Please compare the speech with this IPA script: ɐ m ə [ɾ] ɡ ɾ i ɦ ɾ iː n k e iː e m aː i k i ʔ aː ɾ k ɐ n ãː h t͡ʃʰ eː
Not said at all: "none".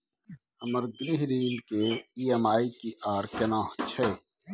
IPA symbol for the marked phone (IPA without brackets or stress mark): ɾ